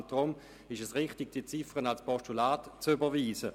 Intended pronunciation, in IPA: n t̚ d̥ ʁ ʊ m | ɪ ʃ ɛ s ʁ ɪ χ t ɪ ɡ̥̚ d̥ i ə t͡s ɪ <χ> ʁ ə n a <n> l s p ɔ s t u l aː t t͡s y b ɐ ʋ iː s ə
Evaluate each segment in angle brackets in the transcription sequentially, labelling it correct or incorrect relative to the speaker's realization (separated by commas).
incorrect, incorrect